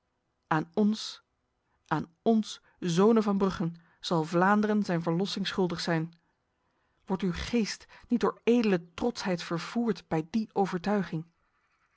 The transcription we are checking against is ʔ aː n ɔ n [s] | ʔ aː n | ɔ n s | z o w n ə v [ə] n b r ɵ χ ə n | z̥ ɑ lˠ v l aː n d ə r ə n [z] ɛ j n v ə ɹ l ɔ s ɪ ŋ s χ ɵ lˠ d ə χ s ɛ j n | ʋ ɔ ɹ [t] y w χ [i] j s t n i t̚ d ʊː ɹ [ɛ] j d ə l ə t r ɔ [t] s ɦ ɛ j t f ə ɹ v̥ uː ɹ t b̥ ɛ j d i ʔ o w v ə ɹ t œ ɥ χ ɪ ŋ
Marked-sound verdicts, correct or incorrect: correct, incorrect: ɑ, correct, correct, incorrect: e, incorrect: e, correct

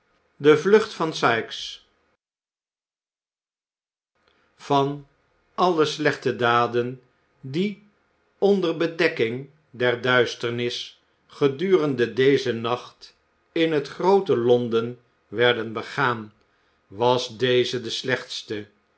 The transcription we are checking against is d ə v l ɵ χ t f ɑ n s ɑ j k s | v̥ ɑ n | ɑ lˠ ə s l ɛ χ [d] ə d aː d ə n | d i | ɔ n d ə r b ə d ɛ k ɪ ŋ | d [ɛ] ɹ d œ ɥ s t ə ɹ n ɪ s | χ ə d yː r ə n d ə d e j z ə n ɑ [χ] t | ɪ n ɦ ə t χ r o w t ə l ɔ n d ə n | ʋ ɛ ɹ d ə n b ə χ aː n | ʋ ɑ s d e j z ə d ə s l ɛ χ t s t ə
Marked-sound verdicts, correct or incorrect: incorrect: t, correct, correct

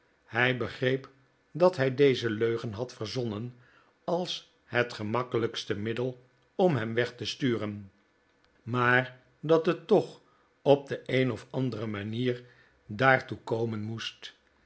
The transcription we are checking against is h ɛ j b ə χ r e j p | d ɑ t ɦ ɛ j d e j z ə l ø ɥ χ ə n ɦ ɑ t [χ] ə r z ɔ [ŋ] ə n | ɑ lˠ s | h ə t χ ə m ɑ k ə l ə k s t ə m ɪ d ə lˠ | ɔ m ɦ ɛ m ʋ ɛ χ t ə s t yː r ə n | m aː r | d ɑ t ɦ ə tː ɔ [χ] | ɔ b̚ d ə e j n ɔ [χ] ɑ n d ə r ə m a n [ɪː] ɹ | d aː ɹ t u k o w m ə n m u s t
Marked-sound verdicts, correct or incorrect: incorrect: f, incorrect: n, correct, incorrect: f, incorrect: iː

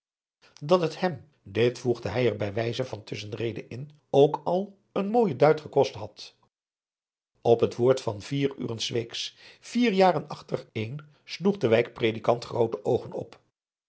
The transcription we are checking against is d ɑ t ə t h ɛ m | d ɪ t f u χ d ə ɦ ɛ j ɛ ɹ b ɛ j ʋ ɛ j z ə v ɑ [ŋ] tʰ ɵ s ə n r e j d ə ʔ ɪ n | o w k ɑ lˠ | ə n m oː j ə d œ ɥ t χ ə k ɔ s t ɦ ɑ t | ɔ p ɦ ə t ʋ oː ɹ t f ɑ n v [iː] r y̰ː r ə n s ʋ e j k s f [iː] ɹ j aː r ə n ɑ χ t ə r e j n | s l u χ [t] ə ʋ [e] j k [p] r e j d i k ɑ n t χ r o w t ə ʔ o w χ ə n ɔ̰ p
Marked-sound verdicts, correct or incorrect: incorrect: n, correct, correct, incorrect: d, incorrect: ɛ, correct

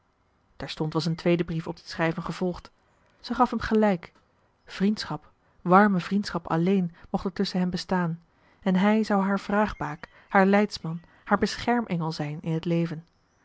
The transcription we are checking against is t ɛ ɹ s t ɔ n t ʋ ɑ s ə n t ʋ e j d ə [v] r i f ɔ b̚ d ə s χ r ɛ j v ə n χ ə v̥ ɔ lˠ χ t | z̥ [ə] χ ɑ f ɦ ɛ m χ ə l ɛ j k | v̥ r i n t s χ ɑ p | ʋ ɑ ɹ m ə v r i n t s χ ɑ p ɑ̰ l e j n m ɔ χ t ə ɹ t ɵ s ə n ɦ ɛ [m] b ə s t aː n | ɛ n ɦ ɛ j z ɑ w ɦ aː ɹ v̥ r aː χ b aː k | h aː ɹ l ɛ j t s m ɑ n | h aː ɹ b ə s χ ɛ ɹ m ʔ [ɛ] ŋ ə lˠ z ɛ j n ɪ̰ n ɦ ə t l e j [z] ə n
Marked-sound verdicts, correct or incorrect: incorrect: b, correct, correct, correct, incorrect: v

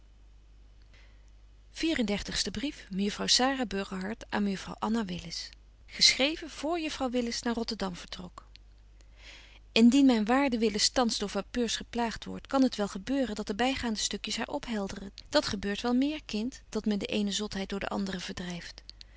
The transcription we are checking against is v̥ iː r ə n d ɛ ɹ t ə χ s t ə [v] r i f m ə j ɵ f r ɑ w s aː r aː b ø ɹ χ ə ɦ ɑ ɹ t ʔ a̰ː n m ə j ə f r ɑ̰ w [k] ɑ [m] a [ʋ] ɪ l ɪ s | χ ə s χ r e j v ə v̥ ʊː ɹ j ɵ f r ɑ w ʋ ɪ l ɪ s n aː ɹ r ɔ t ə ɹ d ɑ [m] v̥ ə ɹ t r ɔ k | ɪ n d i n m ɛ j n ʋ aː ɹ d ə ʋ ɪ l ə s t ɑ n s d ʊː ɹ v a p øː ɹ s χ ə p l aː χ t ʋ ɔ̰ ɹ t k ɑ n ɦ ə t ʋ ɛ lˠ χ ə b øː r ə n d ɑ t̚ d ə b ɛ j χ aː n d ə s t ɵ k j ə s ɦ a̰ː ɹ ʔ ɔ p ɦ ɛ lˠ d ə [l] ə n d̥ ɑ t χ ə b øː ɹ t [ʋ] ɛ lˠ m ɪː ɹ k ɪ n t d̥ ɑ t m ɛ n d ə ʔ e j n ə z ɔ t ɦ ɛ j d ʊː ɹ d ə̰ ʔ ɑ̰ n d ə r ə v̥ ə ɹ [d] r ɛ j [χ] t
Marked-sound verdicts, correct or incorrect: incorrect: b, incorrect: ʔ, incorrect: n, correct, correct, incorrect: r, correct, correct, incorrect: f

